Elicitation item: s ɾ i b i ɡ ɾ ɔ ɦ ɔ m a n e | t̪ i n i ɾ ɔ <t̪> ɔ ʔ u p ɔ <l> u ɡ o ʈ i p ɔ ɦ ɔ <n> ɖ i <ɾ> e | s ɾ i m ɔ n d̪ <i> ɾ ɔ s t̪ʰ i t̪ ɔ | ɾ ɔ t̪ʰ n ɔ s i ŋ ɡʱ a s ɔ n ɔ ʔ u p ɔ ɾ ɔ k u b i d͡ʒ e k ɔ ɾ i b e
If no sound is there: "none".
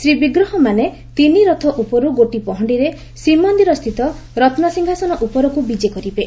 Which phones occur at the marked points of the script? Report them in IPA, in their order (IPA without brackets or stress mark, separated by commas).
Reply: t̪ʰ, ɾ, ɳ, ɾ, i